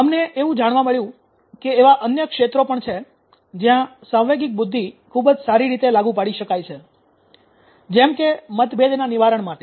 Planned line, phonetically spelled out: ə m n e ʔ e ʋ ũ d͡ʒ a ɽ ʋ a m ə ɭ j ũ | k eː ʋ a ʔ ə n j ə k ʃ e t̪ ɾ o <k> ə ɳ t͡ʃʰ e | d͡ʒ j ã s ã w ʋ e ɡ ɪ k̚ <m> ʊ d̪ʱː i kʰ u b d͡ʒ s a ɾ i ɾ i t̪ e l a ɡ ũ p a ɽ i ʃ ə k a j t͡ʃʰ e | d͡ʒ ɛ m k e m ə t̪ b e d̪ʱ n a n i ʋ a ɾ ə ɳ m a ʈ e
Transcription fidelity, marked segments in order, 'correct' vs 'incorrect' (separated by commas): incorrect, incorrect